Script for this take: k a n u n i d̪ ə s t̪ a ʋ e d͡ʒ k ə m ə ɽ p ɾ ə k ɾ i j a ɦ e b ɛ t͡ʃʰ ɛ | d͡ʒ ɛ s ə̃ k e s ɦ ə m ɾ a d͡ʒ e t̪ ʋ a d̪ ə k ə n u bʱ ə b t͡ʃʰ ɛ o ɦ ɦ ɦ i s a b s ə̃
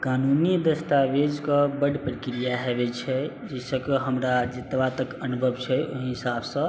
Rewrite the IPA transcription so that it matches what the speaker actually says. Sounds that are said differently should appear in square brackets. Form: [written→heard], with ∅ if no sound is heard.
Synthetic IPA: k a n u n i d̪ ə s t̪ a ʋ e d͡ʒ k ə [m→b] ə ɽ p ɾ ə k ɾ i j a ɦ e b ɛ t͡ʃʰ ɛ | d͡ʒ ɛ s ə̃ k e [s→∅] ɦ ə m ɾ a d͡ʒ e t̪ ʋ a [d̪→t̪] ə k ə n u bʱ ə b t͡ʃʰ ɛ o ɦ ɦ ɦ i s a b s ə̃